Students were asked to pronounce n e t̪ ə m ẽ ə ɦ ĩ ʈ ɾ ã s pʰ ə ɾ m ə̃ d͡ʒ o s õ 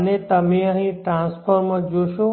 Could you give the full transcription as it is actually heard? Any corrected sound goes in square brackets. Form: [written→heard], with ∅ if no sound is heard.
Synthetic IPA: n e t̪ ə m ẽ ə ɦ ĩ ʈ ɾ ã s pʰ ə ɾ m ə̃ d͡ʒ o [s→ʃ] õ